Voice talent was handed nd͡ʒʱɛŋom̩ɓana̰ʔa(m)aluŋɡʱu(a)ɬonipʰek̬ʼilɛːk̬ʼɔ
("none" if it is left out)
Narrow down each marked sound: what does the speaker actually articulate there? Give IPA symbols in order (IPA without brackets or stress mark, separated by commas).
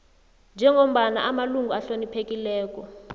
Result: m, a